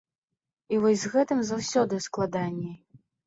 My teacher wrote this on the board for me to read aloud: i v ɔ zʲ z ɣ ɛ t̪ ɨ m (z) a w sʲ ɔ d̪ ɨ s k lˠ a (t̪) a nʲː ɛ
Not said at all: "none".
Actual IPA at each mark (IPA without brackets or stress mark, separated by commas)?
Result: z, d̪